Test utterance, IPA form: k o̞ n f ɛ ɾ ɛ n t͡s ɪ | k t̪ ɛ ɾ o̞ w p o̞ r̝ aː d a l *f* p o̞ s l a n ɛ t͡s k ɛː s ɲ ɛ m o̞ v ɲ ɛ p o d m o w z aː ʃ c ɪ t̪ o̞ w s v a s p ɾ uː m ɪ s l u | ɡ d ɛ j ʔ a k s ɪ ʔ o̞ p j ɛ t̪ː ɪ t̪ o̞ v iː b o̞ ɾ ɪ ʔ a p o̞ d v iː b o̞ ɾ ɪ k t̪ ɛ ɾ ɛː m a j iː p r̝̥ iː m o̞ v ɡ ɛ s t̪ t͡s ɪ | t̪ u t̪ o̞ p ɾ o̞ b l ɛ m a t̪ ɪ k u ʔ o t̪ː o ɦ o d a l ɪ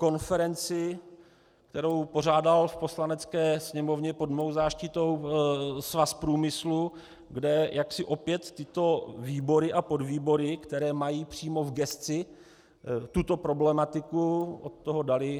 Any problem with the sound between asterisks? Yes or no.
no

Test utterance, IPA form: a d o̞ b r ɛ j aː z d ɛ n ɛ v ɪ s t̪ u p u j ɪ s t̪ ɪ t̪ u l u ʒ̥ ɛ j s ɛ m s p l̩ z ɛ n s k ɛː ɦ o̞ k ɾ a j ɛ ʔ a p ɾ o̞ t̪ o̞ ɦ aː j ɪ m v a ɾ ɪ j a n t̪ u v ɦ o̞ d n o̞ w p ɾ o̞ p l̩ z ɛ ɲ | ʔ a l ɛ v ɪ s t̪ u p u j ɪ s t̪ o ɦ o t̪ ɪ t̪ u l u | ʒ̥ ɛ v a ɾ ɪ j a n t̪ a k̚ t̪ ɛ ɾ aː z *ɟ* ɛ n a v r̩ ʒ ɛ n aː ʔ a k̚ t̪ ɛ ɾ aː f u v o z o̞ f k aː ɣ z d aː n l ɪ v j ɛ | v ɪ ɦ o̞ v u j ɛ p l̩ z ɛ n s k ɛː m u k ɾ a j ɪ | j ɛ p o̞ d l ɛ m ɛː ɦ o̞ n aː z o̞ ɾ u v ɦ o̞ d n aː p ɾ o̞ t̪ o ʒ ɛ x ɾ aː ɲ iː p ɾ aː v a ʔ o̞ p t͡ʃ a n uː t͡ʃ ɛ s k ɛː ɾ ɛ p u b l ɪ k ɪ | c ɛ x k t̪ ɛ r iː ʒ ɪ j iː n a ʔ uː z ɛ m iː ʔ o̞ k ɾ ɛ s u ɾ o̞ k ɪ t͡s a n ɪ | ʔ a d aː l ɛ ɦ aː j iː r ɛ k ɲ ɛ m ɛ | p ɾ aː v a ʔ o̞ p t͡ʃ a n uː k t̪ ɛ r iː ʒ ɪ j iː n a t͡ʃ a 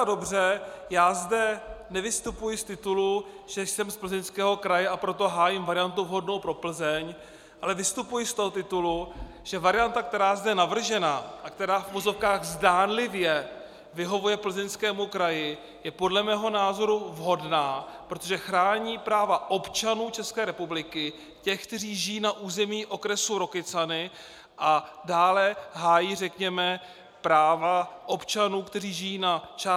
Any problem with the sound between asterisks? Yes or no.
yes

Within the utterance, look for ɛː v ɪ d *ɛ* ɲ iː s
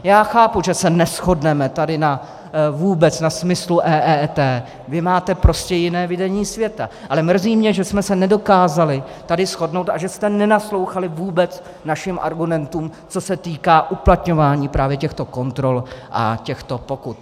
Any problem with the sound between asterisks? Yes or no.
no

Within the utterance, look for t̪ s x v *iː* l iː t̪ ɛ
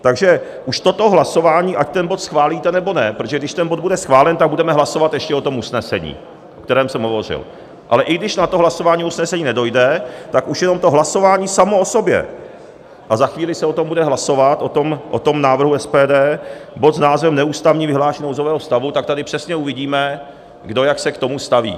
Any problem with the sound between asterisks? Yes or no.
yes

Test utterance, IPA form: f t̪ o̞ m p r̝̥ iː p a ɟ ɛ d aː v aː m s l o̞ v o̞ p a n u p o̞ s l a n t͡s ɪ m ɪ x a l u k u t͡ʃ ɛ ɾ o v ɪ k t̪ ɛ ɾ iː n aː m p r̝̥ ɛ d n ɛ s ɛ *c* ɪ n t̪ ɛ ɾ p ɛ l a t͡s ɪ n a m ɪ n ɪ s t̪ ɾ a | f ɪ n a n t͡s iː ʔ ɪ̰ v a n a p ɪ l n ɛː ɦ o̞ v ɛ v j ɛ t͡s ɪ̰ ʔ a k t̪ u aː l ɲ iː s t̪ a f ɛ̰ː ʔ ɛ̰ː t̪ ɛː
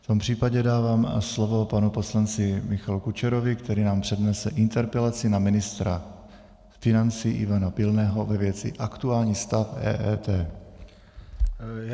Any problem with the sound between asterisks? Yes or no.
yes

